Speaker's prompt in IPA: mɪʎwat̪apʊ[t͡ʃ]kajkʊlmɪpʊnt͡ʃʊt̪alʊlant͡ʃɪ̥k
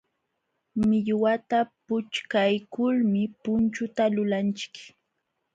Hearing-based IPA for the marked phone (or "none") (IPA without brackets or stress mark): t͡ʃ